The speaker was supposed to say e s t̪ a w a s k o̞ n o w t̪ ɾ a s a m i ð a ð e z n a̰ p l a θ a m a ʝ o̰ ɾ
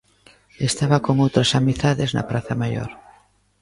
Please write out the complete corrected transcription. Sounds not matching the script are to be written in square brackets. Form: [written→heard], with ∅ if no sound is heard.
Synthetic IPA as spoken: e s t̪ a [w→β] a [s→∅] k o̞ [n→ŋ] o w t̪ ɾ a s a m i [ð→θ] a ð e z n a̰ p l a θ a m a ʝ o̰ ɾ